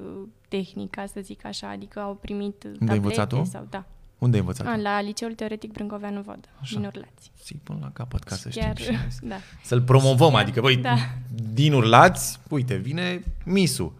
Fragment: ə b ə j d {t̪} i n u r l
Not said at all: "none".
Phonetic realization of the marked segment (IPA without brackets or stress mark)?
d̪